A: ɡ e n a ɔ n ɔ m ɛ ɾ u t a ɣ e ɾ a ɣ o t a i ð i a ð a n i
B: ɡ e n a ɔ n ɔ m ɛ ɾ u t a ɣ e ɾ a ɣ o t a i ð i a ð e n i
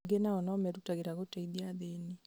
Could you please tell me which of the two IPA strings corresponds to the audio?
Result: B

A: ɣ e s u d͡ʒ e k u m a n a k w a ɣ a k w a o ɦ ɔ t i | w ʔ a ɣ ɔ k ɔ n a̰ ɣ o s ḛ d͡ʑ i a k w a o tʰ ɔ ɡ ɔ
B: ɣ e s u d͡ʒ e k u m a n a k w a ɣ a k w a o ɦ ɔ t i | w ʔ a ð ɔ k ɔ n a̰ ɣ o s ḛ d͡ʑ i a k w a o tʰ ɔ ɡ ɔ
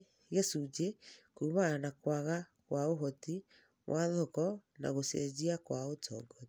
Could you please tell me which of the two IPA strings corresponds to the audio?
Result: B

